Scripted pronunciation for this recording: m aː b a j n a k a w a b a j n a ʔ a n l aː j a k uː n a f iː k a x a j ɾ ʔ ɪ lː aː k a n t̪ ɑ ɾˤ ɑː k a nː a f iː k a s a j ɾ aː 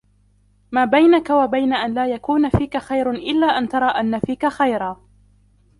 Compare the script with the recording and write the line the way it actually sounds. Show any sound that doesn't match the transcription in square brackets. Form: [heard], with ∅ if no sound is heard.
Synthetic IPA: m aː b a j n a k a w a b a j n a ʔ a n l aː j a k uː n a f iː k a x a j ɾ ʔ ɪ lː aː [ʔ] a n t̪ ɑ ɾˤ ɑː [ʔ] a nː a f iː k a [x] a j ɾ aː